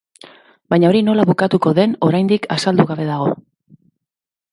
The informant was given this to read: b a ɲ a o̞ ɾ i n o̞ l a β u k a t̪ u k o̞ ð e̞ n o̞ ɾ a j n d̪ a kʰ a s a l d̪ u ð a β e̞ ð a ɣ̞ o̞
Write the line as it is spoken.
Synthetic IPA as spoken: b a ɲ a o̞ ɾ i n o̞ l a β u k a t̪ u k o̞ ð e̞ n o̞ ɾ a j n d̪ i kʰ a s a l d̪ u ɣ a β e̞ ð a ɣ̞ o̞